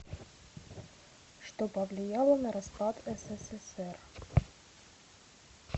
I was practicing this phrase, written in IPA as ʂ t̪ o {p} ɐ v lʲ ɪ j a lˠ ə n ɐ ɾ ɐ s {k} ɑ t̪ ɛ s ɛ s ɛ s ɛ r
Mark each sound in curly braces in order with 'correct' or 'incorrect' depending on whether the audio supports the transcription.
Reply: correct, incorrect: p

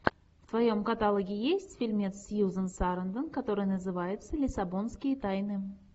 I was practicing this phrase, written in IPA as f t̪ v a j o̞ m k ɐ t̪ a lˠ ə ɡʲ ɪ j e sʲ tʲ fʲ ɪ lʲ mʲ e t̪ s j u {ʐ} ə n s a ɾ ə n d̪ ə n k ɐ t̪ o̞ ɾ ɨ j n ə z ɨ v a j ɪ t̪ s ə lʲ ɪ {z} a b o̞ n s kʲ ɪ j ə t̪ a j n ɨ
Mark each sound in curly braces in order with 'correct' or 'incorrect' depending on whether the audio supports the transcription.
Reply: incorrect: z, incorrect: s

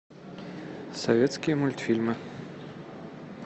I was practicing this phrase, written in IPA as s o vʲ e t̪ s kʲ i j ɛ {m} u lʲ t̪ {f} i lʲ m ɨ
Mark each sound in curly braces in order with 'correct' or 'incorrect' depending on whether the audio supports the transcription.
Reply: correct, correct

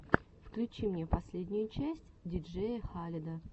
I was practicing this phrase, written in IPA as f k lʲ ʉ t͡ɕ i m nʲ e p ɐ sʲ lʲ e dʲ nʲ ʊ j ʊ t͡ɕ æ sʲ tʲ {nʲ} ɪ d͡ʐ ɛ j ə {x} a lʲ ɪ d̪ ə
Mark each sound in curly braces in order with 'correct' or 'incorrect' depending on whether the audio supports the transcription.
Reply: incorrect: dʲ, correct

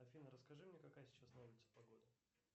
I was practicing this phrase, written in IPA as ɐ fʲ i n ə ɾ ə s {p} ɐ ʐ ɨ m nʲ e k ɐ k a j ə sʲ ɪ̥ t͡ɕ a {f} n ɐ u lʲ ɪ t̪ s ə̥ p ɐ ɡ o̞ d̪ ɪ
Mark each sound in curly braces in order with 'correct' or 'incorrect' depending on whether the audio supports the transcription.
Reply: incorrect: k, incorrect: s

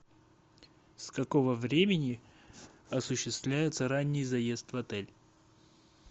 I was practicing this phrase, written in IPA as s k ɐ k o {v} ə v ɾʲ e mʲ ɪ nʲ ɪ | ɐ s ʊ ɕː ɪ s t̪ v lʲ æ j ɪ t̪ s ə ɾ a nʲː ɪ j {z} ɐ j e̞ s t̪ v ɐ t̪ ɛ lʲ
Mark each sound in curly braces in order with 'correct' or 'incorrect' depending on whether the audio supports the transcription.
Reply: correct, correct

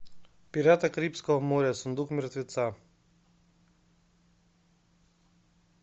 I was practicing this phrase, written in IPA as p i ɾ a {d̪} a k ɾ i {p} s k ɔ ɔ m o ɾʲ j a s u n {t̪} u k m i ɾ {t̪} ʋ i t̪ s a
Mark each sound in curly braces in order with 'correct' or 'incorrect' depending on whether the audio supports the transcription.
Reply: incorrect: t̪, correct, incorrect: d̪, correct

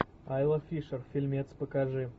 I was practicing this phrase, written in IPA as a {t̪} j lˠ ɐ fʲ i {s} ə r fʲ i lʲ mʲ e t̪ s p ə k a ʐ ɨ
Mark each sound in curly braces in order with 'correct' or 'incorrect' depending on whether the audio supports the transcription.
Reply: incorrect: none, incorrect: ʂ

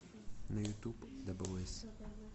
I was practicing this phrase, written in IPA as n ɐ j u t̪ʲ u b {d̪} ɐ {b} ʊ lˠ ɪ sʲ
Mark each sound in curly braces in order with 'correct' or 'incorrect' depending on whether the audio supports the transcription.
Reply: correct, correct

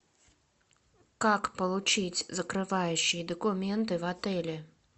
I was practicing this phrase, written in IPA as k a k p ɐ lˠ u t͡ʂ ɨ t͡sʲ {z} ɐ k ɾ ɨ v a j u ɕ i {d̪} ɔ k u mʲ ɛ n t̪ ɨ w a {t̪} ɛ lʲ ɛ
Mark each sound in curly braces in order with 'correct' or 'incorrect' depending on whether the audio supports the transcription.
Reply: correct, correct, correct

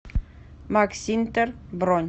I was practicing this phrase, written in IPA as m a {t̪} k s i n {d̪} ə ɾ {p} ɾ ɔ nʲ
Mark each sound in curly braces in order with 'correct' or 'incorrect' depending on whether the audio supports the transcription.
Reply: incorrect: none, incorrect: t̪, incorrect: b

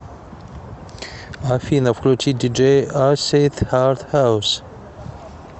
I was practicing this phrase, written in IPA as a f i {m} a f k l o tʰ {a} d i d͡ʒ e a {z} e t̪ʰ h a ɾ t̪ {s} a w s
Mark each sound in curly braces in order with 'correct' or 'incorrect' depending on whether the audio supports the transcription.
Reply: incorrect: n, incorrect: i, incorrect: s, incorrect: h

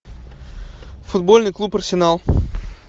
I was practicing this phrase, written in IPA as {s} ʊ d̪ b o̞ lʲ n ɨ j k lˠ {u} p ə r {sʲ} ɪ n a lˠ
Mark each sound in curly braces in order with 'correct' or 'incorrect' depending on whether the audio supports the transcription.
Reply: incorrect: f, correct, correct

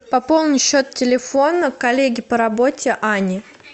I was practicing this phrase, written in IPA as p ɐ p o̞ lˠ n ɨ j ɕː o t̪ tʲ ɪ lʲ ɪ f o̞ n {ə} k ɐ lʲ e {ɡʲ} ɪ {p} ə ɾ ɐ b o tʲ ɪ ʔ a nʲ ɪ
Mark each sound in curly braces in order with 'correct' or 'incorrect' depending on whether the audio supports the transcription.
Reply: correct, correct, correct

